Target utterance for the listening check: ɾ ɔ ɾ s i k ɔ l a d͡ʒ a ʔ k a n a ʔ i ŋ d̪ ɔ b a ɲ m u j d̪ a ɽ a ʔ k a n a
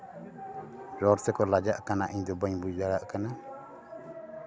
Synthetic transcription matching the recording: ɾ ɔ ɾ s ɛ k ɔ l a d͡ʒ a ʔ k a n a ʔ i ɲ d̪ ɔ b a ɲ b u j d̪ a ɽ a ʔ k a n a